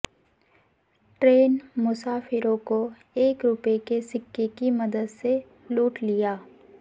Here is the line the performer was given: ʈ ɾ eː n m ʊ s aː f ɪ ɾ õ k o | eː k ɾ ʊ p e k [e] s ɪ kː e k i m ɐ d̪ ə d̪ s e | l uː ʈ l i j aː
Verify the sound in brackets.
correct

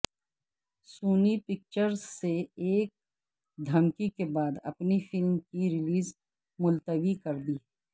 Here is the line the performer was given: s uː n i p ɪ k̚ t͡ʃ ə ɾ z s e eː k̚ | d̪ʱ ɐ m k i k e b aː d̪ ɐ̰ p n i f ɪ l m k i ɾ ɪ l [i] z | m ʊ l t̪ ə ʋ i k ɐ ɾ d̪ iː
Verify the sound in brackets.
incorrect: iː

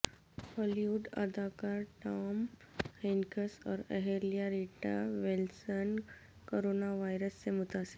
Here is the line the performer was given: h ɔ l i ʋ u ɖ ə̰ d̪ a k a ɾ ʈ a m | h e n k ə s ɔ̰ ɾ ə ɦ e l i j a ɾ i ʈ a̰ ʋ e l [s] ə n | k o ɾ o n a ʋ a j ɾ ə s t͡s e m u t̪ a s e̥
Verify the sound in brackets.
correct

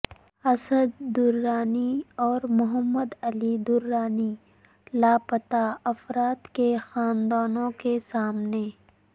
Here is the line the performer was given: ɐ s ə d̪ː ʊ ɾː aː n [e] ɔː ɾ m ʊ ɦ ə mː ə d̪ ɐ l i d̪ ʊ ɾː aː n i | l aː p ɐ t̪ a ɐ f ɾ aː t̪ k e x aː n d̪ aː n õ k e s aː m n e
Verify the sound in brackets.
incorrect: i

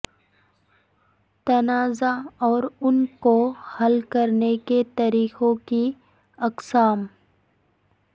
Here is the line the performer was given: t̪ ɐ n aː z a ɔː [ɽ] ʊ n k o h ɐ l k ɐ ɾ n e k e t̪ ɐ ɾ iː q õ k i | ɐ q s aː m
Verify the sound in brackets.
incorrect: ɾ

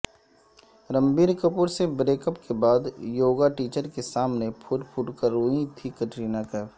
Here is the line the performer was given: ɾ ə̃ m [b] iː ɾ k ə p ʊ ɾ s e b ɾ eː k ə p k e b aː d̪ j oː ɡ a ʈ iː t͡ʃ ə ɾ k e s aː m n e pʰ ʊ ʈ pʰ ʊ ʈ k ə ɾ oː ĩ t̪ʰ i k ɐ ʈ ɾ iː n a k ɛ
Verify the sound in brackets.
correct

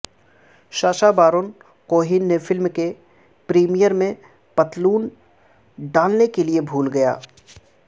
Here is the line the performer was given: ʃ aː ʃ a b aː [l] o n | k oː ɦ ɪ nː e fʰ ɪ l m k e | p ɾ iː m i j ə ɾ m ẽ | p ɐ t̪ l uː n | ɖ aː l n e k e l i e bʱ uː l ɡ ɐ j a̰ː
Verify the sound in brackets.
incorrect: ɾ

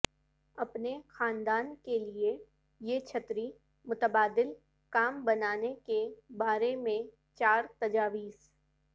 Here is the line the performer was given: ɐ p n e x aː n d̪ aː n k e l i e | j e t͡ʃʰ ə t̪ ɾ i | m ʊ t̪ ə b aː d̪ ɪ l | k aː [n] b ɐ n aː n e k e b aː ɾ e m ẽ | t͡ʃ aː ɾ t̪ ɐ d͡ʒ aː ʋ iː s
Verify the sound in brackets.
incorrect: m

